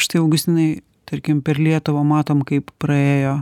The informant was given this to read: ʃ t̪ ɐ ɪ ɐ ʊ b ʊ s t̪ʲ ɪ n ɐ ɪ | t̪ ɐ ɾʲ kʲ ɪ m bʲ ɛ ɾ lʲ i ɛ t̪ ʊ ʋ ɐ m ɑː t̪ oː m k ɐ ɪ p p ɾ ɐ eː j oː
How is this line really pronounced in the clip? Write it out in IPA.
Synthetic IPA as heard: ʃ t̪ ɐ ɪ ɐ ʊ ɡ ʊ s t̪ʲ ɪ n ɐ ɪ | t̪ ɐ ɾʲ kʲ ɪ m pʲ ɛ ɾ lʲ i ɛ t̪ ʊ ʋ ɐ m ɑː t̪ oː m k ɐ ɪ p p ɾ ɐ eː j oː